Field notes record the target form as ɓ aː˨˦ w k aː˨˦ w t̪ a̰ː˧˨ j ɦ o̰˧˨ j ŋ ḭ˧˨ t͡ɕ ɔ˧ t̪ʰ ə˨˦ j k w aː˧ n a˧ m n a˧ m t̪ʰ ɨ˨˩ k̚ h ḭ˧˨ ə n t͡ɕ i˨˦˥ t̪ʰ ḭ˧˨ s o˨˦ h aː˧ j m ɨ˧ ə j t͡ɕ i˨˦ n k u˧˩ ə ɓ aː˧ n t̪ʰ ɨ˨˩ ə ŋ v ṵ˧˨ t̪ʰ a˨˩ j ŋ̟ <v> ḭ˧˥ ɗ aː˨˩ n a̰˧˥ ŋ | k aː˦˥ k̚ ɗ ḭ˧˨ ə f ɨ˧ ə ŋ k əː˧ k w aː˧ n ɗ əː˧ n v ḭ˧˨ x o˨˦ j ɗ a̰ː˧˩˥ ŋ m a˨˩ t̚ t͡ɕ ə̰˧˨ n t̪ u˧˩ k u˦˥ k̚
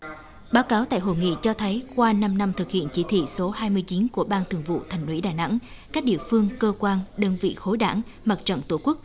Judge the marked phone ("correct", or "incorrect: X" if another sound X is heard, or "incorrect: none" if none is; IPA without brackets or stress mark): incorrect: w